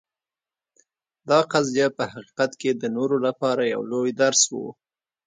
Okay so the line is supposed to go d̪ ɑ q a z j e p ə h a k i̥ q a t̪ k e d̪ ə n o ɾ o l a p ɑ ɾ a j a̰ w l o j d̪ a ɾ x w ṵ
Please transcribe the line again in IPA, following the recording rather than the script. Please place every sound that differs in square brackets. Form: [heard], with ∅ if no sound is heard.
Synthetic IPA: d̪ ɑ q a z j [a] p ə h a [q] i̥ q a t̪ k e d̪ ə n o ɾ o l a p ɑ ɾ a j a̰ w l o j d̪ a ɾ [s] w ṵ